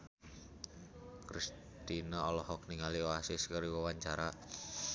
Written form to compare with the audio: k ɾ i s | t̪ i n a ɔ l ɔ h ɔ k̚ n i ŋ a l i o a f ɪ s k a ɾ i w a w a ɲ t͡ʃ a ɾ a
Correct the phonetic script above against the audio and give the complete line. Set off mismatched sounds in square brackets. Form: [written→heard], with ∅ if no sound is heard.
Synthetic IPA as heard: k ɾ i s | t̪ i n a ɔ l ɔ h ɔ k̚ n i ŋ a l i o a [f→s] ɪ s k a ɾ i w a w a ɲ t͡ʃ a ɾ a